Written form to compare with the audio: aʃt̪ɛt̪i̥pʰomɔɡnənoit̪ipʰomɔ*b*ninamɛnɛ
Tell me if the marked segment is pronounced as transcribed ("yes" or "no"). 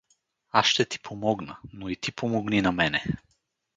no